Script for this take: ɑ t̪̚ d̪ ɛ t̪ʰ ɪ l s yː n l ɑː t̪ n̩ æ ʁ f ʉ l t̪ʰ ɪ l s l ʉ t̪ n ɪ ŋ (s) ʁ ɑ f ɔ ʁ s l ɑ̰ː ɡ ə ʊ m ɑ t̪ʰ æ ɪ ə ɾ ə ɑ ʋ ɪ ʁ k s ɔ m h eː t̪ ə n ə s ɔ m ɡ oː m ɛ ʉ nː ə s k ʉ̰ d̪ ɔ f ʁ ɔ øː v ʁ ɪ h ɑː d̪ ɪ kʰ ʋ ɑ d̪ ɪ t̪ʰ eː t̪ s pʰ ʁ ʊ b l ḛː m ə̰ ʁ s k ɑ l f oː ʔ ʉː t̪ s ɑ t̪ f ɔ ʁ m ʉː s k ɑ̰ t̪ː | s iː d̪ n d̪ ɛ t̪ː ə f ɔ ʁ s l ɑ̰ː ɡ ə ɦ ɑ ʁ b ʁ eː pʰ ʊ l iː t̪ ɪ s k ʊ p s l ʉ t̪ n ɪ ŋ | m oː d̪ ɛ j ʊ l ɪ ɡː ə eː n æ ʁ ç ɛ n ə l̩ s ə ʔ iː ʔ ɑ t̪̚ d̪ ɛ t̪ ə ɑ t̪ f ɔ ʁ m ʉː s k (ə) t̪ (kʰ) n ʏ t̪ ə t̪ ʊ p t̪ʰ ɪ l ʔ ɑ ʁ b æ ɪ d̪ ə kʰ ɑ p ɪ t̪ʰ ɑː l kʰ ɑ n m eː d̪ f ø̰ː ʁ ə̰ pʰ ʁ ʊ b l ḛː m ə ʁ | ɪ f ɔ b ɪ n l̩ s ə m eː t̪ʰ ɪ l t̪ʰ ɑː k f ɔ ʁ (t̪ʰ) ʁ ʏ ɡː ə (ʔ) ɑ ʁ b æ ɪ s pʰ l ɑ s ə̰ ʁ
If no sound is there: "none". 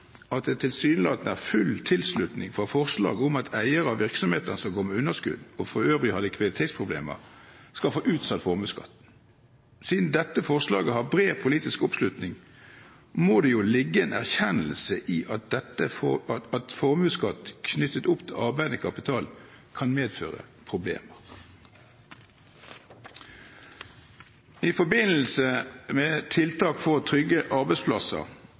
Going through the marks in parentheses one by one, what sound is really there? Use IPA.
f, ɑ, kʰ, t̪ʰ, ʔ

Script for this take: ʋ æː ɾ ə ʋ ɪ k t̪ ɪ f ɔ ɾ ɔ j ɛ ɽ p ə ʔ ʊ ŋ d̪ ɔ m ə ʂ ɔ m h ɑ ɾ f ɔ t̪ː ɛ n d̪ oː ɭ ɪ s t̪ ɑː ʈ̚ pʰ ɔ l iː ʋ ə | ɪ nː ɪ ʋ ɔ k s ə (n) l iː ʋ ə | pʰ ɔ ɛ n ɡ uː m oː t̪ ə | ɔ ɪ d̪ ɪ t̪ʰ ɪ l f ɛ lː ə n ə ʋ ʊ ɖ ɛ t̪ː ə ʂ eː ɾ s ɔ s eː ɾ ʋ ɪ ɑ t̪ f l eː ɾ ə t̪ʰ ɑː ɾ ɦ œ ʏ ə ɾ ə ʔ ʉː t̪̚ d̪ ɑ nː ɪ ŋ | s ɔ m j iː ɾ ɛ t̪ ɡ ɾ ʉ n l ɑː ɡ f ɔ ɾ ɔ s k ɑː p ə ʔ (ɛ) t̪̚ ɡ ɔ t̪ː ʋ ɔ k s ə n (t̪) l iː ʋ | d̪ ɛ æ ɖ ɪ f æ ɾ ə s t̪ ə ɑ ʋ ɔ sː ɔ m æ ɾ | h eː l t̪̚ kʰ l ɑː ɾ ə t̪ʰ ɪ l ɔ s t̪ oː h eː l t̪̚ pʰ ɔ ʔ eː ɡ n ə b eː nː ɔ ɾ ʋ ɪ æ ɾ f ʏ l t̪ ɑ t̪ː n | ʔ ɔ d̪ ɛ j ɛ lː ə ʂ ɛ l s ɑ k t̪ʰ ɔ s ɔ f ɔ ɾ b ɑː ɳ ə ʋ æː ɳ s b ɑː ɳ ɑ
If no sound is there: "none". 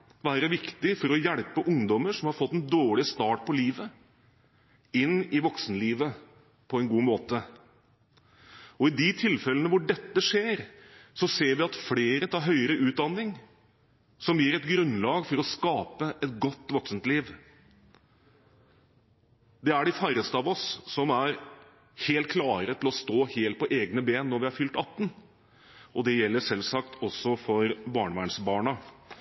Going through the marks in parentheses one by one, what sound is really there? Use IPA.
n, ɛ, t̪

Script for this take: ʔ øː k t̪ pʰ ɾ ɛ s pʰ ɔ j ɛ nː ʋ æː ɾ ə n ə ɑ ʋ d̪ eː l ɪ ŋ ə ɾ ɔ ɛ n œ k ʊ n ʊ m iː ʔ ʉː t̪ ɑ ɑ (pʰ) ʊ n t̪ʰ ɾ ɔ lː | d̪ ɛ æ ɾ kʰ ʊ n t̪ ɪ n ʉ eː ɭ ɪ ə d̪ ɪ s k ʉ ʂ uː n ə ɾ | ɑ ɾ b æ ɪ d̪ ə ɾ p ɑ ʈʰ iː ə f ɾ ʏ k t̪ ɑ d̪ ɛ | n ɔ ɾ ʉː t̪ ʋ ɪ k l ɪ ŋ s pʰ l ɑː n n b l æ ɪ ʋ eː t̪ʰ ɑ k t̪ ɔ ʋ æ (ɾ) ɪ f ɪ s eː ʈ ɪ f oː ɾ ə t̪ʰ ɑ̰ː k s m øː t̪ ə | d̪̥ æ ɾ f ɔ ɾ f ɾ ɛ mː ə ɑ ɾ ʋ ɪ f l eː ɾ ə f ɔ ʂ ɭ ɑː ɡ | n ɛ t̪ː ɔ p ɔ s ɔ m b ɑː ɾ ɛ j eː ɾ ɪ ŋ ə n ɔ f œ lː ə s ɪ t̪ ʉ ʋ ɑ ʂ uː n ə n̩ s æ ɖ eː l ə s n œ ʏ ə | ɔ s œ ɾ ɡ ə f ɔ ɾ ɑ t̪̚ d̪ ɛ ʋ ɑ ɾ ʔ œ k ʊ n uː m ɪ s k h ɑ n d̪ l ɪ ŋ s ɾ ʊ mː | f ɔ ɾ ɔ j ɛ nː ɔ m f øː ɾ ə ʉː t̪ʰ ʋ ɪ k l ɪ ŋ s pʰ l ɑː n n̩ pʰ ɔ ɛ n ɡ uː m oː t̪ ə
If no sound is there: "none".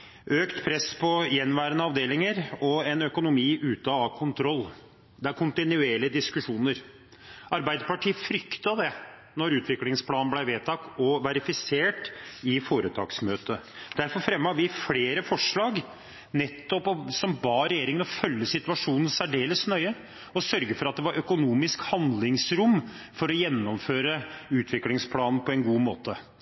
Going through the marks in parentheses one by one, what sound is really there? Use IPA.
kʰ, ɾ

